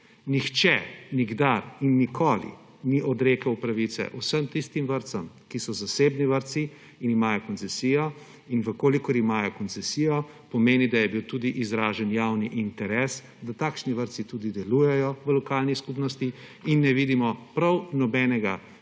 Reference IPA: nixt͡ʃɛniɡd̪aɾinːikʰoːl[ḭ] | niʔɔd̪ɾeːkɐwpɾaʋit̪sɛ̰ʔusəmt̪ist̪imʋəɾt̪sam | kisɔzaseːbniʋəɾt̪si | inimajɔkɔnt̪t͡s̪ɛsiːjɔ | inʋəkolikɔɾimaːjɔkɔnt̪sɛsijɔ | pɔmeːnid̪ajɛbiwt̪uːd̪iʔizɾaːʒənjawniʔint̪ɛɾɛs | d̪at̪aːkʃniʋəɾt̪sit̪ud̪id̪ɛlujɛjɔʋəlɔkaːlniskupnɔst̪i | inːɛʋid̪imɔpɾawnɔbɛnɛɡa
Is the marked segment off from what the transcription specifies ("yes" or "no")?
no